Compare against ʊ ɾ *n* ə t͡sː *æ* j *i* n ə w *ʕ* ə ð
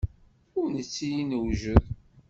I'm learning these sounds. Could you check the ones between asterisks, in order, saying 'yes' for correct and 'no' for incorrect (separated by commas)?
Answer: yes, no, yes, no